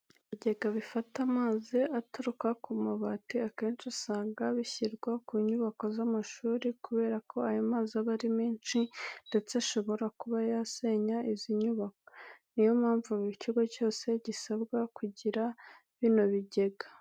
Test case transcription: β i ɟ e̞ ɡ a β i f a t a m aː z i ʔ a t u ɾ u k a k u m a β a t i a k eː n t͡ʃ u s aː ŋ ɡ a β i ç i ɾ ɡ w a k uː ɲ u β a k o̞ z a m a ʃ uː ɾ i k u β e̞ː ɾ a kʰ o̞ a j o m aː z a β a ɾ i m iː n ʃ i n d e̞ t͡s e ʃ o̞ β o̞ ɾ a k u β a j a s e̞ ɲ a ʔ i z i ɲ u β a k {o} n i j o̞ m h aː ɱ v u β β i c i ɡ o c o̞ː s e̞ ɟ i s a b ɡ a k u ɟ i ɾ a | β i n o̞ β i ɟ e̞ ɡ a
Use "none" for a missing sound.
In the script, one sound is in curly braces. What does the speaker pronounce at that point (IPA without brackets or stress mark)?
o